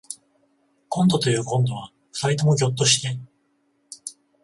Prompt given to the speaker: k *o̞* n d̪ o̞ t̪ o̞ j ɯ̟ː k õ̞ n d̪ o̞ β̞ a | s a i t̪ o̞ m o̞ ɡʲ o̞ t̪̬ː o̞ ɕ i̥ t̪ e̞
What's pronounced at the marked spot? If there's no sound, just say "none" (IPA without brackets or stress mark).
õ̞